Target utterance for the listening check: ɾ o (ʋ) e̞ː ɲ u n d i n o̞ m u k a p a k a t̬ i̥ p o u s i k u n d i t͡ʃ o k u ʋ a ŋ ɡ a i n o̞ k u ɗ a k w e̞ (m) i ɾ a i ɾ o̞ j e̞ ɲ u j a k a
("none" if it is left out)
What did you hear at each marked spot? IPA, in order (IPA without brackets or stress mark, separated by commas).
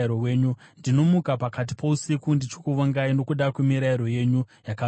w, m